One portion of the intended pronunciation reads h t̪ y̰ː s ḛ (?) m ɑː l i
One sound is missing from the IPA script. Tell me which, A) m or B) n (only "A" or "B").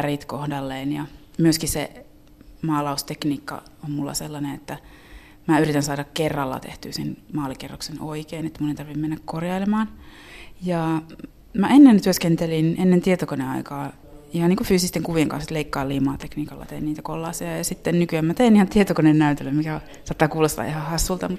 B